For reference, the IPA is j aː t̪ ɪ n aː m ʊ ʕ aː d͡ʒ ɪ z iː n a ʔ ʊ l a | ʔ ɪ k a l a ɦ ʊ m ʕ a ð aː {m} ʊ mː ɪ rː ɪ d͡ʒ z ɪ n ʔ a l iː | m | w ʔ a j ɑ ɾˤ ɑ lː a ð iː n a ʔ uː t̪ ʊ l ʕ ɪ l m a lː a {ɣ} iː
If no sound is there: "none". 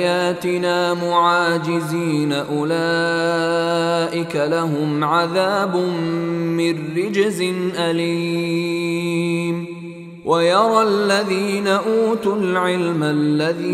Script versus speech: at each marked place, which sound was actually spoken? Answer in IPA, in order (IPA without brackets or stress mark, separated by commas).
b, ð